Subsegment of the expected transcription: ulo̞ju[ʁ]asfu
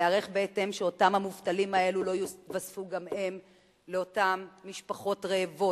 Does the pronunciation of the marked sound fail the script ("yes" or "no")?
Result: yes